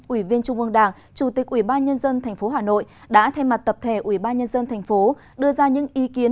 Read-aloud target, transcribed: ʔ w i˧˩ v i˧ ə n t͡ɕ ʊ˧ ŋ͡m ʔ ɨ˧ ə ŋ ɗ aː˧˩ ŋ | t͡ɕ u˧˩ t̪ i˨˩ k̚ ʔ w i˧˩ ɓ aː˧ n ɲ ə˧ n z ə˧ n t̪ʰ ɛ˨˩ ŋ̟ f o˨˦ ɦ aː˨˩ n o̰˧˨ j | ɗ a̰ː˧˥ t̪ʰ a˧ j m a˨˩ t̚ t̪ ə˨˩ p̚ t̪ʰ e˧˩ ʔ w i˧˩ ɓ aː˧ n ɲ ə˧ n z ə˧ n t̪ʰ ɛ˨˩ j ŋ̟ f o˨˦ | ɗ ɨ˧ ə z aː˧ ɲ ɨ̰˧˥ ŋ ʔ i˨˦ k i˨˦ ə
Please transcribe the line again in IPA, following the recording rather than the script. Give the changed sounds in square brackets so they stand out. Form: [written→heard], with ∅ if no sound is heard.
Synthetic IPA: ʔ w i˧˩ v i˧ ə n t͡ɕ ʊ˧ ŋ͡m ʔ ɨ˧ ə ŋ ɗ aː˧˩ ŋ | t͡ɕ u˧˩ t̪ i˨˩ k̚ ʔ w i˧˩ ɓ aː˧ n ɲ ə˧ n z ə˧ n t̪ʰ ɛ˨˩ ŋ̟ f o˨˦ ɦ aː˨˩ n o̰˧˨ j | ɗ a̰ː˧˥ t̪ʰ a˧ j m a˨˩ t̚ t̪ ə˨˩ p̚ t̪ʰ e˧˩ ʔ w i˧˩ ɓ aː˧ n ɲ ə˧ n z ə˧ n t̪ʰ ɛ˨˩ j ŋ̟ f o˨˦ | ɗ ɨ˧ ə z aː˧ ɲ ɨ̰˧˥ ŋ ʔ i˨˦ k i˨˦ ə

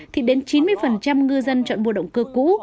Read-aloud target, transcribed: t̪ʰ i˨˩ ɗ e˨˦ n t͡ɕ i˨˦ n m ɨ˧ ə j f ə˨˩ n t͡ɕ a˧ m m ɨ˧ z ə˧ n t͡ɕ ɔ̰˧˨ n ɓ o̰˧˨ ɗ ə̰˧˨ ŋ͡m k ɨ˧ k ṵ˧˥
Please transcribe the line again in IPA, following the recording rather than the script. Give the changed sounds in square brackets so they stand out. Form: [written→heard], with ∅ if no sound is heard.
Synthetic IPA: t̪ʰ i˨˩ ɗ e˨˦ n t͡ɕ i˨˦ n m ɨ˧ ə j f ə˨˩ n t͡ɕ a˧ m [m→ŋ] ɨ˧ z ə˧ n t͡ɕ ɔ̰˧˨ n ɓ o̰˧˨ ɗ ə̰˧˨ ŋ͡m k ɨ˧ k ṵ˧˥

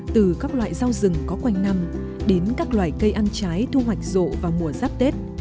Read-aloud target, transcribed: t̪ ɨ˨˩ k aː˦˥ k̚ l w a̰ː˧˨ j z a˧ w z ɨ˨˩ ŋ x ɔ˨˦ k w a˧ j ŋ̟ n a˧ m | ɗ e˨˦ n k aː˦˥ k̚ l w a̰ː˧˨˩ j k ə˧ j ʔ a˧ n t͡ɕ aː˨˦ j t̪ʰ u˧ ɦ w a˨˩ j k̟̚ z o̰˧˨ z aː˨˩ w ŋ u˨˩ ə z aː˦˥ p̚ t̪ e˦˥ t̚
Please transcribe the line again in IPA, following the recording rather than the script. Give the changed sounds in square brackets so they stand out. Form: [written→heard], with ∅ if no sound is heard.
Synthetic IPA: t̪ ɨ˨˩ k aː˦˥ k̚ l w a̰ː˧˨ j z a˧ w z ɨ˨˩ ŋ [x→k] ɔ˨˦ k w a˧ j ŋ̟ n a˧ m | ɗ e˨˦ n k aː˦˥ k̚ l w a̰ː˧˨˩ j k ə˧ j ʔ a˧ n t͡ɕ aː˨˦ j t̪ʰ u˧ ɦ w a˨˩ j k̟̚ z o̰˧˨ [z→v] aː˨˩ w [ŋ→m] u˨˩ ə z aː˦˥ p̚ t̪ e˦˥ t̚

